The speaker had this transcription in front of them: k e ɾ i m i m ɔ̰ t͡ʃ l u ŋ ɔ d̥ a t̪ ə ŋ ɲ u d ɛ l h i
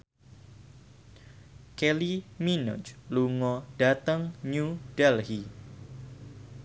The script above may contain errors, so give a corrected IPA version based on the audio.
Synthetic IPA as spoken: k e l i m i n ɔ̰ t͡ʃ l u ŋ ɔ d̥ a t̪ ə ŋ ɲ u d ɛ l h i